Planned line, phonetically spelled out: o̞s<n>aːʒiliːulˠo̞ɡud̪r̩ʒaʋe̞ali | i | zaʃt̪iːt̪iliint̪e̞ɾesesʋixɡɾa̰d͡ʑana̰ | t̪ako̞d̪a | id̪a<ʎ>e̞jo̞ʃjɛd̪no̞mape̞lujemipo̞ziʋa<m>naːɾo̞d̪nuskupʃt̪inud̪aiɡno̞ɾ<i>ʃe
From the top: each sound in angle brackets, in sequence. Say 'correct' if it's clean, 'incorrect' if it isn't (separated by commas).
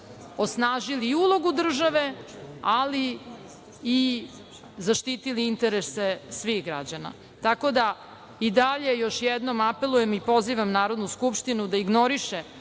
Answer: correct, correct, correct, correct